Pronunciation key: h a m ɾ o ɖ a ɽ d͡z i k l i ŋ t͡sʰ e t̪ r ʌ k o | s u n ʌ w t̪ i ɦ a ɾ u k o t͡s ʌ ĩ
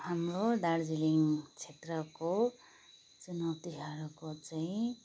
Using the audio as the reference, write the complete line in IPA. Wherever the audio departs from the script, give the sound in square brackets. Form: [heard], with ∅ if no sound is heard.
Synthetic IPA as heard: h a m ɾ o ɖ a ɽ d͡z i [∅] l i ŋ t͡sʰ e t̪ r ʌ k o | [t͡s] u n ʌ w t̪ i ɦ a ɾ u k o t͡s [a] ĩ